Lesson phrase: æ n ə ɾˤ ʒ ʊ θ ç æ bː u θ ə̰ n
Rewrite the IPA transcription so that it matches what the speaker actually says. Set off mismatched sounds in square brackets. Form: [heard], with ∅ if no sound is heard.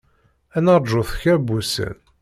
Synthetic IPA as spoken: æ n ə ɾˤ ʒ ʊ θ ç æ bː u [s] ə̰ n